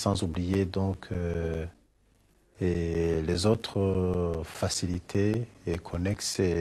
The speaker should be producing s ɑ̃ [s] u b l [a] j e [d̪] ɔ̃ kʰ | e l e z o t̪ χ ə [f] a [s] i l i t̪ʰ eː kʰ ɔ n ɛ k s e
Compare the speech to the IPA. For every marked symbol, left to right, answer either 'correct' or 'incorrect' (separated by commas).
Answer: incorrect, incorrect, correct, correct, correct